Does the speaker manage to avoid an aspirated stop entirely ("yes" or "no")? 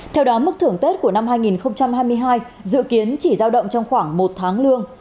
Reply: no